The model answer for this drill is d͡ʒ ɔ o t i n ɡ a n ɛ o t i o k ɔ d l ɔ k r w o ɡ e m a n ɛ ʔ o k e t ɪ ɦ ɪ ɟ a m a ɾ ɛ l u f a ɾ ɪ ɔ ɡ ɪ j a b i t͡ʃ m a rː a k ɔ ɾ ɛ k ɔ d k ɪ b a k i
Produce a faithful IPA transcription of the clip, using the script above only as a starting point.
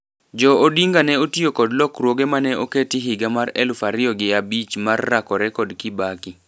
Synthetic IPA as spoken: d͡ʒ ɔ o d i ŋ ɡ a n ɛ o t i o k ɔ d l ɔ k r w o ɡ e m a n ɛ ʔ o k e t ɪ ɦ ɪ ɡ a m a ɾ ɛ l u f a ɾ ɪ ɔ ɡ ɪ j a b i t͡ʃ m a rː a k ɔ ɾ ɛ k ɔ d k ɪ b a k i